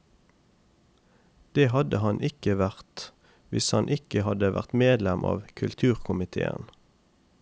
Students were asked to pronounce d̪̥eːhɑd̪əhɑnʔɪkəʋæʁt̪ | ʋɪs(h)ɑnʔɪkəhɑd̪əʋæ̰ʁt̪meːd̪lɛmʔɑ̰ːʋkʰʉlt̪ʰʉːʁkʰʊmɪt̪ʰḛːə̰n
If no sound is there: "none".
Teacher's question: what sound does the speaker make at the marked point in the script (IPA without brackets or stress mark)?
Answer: h